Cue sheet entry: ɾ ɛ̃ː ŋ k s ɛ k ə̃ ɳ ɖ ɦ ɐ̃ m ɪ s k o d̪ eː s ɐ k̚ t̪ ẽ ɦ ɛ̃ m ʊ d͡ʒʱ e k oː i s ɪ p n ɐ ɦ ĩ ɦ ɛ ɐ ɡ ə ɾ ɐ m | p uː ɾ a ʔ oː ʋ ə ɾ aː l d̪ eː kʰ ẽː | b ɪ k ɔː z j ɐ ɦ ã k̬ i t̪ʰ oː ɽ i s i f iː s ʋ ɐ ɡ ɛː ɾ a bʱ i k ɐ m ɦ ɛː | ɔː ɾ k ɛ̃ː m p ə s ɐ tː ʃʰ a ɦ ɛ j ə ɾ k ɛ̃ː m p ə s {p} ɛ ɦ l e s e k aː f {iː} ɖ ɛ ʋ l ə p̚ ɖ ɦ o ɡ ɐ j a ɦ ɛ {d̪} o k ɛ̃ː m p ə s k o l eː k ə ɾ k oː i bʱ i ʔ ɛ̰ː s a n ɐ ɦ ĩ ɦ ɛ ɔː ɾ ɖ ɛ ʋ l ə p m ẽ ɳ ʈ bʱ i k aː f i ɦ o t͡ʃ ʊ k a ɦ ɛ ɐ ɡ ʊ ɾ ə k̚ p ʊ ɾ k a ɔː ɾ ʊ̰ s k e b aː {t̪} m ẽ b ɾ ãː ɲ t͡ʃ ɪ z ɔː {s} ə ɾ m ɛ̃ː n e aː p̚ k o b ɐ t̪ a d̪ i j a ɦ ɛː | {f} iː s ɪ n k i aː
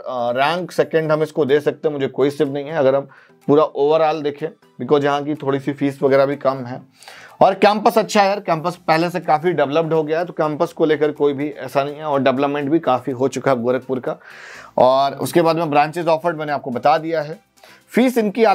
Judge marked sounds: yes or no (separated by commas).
yes, no, no, no, no, yes